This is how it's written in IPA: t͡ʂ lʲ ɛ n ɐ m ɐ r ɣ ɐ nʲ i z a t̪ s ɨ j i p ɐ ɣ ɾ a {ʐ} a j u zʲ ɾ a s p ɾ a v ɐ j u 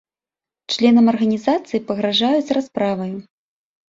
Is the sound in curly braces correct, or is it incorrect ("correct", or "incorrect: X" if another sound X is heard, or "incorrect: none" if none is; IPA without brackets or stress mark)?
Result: correct